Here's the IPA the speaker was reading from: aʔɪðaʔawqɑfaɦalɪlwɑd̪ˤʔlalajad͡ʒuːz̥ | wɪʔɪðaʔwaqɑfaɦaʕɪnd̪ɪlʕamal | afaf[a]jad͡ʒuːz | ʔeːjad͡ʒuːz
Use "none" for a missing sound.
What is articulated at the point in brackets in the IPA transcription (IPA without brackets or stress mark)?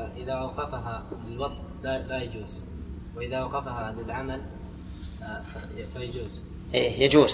a